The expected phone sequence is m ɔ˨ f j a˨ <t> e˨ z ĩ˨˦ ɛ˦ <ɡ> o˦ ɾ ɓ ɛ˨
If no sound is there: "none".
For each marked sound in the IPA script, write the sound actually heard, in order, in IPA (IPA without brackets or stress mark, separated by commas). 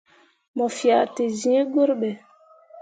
t, ɡ